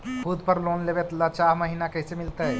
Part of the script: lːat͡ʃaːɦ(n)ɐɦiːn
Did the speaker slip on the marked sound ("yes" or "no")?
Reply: yes